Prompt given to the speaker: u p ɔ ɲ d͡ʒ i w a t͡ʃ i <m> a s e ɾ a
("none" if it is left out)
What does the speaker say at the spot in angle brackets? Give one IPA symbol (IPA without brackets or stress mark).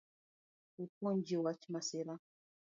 m